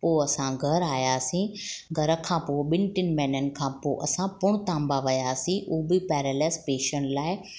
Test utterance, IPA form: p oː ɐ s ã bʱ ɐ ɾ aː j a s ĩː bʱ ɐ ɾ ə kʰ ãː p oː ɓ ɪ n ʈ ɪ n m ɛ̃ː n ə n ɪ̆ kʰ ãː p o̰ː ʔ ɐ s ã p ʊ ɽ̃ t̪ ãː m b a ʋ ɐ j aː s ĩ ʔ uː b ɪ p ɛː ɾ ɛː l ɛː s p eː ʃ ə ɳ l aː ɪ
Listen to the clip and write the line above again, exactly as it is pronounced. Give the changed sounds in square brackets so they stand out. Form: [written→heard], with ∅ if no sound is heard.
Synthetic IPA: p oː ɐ s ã [bʱ→ɡʱ] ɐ ɾ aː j a s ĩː [bʱ→ɡʱ] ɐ ɾ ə kʰ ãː p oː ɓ ɪ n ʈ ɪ n m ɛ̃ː n ə n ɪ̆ kʰ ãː p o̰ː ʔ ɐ s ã p ʊ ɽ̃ t̪ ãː m b a ʋ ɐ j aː s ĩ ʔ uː b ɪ p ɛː ɾ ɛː l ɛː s p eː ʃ ə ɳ l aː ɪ